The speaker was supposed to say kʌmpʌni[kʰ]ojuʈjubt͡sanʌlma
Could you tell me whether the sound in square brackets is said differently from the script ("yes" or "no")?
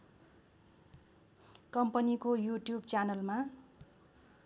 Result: yes